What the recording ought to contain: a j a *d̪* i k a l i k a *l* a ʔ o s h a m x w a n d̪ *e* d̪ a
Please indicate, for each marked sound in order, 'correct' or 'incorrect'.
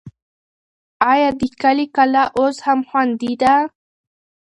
correct, correct, incorrect

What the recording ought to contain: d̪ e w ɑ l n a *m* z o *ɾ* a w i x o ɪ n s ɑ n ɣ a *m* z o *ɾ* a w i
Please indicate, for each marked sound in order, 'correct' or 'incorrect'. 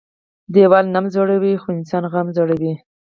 correct, incorrect, correct, incorrect

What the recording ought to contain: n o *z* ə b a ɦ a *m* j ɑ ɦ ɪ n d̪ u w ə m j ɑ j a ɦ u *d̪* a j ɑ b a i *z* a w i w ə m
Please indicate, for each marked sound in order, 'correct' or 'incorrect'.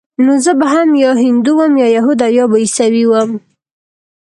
correct, correct, correct, incorrect

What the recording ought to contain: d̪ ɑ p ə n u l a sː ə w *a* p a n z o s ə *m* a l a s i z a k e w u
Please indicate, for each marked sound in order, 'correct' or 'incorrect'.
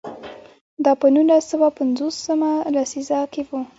correct, correct

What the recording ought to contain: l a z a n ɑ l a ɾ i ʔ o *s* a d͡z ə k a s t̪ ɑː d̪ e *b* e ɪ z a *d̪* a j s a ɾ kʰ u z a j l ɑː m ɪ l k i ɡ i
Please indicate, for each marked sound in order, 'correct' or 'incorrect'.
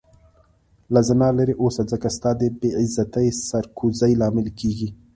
correct, correct, incorrect

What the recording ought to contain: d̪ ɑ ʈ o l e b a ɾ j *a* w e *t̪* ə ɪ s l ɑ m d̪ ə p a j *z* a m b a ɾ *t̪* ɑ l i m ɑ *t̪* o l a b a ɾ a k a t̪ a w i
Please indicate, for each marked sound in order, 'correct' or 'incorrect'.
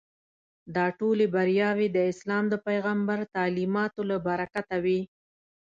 incorrect, incorrect, incorrect, correct, correct

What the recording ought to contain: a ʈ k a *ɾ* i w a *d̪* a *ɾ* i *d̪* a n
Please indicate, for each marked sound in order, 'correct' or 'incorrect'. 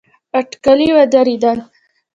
incorrect, correct, correct, correct

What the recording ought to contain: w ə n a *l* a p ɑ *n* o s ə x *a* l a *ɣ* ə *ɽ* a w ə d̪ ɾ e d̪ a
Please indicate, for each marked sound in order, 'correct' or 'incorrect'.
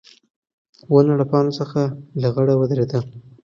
incorrect, correct, correct, correct, correct

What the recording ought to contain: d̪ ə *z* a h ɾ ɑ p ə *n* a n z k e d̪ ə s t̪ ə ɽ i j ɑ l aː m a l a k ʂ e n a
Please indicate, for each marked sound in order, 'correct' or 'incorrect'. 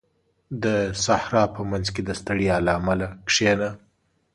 incorrect, incorrect

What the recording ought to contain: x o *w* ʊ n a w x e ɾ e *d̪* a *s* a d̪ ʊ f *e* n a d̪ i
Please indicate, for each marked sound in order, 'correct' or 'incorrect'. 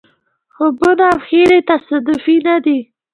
incorrect, incorrect, correct, incorrect

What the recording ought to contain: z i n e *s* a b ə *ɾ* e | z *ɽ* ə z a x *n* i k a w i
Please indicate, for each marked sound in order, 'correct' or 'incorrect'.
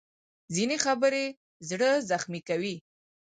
incorrect, correct, correct, incorrect

